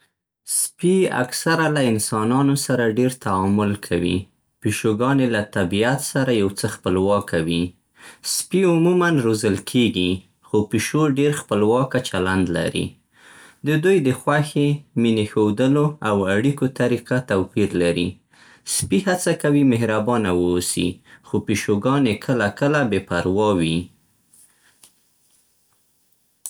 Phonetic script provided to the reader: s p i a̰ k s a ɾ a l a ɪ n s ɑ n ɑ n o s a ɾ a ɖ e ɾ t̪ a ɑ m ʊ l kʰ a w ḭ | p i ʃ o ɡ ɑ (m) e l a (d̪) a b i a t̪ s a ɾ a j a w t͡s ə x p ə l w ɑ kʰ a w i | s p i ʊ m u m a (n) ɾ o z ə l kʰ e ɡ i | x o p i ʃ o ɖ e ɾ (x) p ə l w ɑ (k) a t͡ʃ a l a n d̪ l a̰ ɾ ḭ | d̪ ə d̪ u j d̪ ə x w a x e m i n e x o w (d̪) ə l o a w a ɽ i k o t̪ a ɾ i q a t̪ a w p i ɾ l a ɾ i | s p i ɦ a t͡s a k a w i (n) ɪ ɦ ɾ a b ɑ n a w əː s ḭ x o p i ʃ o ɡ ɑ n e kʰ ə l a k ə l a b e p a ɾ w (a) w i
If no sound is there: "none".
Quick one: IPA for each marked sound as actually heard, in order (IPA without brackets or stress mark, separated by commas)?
n, t̪, n, x, k, d̪, m, ɑ